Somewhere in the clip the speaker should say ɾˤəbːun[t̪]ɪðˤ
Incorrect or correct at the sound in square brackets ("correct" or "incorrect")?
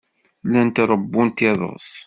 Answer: correct